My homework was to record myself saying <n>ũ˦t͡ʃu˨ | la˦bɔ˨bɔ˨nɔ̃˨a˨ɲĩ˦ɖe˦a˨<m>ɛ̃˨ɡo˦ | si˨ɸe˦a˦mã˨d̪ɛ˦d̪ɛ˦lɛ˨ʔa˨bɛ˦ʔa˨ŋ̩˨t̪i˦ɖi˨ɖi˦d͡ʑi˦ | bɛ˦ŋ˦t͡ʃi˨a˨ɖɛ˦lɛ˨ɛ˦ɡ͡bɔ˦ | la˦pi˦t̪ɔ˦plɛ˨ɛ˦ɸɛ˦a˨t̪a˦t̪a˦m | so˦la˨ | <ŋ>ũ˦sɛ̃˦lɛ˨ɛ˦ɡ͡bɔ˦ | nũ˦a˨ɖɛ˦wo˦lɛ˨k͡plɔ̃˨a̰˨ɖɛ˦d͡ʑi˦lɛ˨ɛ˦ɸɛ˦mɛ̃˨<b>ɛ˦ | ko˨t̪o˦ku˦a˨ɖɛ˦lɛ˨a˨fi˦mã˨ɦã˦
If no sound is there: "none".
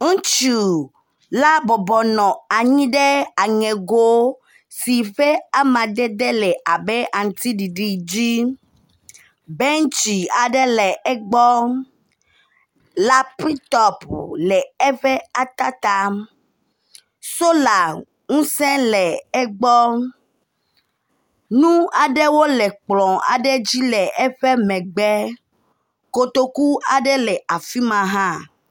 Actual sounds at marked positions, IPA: ŋ, ŋ, ŋ, ɡ͡b

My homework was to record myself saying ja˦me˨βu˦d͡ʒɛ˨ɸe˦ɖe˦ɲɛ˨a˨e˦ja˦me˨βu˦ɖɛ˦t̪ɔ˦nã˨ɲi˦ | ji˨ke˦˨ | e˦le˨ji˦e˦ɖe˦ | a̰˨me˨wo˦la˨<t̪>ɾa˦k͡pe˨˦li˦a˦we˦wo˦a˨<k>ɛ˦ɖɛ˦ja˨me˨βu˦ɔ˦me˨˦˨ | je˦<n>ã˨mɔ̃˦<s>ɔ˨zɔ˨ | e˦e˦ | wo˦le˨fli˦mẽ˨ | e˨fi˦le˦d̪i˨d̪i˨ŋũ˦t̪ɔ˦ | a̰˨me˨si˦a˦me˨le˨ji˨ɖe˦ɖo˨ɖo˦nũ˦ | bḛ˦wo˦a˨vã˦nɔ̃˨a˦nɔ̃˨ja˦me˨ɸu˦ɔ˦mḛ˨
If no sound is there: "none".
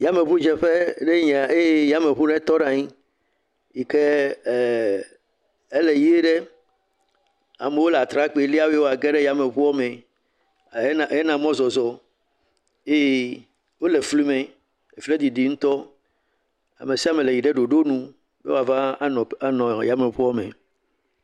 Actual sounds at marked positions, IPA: t̪, ɡ, n, z

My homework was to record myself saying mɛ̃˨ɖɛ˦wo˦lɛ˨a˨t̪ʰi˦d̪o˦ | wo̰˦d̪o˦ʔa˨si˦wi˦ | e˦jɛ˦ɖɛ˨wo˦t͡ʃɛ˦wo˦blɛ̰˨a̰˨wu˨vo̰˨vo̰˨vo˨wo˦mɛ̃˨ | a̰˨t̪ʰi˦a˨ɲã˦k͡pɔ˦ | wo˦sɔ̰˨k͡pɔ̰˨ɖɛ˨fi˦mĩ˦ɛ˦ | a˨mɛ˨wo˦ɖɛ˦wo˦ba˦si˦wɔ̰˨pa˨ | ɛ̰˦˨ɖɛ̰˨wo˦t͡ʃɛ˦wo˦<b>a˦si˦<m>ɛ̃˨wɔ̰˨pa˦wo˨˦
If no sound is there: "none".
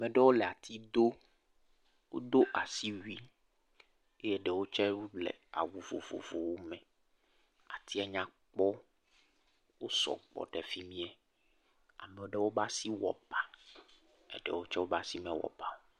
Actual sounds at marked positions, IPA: b, m

